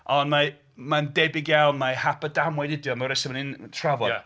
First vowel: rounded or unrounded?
rounded